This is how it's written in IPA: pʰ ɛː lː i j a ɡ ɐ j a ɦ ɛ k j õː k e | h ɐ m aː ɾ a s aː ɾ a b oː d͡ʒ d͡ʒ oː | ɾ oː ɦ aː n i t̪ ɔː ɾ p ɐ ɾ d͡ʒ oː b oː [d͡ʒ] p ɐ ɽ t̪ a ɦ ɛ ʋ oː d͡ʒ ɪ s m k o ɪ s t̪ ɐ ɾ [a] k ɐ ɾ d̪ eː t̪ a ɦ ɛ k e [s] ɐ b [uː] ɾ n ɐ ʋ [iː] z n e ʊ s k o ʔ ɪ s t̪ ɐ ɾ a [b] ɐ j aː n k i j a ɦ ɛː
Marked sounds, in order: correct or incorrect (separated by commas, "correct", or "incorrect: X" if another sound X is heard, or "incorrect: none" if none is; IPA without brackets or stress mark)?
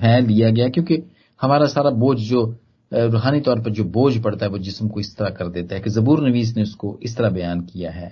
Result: correct, correct, incorrect: z, correct, correct, correct